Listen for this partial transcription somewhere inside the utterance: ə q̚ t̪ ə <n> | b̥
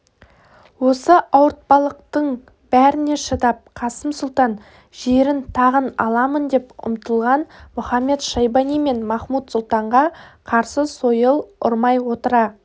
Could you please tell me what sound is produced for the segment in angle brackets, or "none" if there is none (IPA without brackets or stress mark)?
ɴ